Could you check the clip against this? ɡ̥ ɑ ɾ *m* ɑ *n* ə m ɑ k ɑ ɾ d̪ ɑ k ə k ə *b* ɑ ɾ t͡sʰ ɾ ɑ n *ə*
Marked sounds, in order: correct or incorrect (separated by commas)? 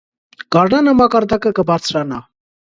incorrect, correct, correct, incorrect